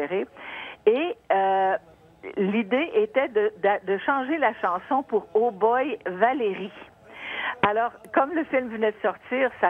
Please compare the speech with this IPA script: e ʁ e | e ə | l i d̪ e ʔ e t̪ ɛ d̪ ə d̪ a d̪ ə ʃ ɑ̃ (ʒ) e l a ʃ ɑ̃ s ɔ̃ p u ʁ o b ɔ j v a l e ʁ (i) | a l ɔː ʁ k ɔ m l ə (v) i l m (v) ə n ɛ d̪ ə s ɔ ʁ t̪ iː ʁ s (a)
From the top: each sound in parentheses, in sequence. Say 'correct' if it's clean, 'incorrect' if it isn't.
correct, correct, incorrect: f, correct, correct

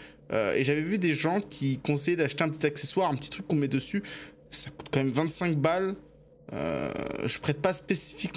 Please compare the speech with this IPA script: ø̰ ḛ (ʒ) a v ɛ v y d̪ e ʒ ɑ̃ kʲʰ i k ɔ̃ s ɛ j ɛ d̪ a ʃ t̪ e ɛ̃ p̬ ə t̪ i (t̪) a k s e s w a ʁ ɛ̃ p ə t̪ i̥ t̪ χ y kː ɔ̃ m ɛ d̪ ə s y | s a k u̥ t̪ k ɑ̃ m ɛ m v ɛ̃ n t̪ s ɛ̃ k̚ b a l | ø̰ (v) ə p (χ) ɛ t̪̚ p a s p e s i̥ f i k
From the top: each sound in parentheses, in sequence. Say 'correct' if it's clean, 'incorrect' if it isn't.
correct, correct, incorrect: ʒ, correct

